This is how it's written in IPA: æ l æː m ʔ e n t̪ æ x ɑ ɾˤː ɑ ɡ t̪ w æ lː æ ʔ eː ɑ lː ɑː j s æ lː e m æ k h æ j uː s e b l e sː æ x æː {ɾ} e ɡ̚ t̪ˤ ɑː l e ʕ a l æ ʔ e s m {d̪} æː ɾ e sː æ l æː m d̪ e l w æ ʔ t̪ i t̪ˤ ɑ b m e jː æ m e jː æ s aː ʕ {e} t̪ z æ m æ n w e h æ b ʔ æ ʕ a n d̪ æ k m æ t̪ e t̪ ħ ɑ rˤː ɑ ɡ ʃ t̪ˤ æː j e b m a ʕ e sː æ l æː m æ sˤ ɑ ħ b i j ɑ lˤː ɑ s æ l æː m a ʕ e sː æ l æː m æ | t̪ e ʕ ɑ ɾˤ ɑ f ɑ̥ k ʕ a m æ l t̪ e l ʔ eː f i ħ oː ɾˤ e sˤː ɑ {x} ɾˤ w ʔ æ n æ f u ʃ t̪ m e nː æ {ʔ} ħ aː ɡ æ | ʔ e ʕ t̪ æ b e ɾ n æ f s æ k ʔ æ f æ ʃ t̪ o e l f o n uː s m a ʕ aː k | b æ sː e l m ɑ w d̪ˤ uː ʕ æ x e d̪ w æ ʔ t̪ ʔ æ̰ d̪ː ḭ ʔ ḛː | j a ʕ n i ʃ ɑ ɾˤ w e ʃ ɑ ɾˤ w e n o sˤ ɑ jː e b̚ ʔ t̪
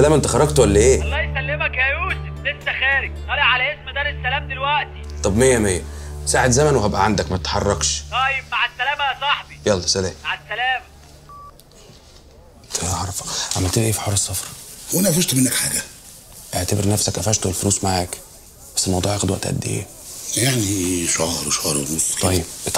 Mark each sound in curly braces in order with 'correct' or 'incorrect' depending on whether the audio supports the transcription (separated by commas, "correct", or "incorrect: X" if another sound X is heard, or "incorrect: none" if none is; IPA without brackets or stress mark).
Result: correct, correct, correct, incorrect: f, incorrect: k